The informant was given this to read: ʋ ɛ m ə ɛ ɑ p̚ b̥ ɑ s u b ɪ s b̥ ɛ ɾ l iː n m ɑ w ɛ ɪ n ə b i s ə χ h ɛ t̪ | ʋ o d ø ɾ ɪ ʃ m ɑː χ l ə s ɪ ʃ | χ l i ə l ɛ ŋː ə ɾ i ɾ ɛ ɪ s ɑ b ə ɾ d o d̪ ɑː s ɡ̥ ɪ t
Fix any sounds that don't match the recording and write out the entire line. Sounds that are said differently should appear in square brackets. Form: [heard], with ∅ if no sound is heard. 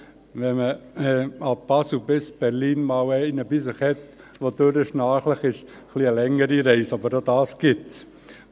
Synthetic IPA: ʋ ɛ m ə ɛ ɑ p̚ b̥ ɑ s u b ɪ s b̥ ɛ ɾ l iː n m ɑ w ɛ ɪ n ə b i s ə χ h ɛ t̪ | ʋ o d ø ɾ ɪ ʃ [n] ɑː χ l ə [χ] ɪ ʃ | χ l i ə l ɛ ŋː ə ɾ i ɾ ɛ ɪ s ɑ b ə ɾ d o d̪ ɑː s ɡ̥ ɪ t